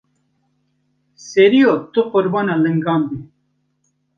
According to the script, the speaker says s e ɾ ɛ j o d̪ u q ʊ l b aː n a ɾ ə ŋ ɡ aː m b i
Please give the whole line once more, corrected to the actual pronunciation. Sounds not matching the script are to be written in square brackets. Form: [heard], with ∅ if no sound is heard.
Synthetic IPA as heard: s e ɾ [i] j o [t̪] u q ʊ [ɾ] b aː n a [l] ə ŋ ɡ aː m b i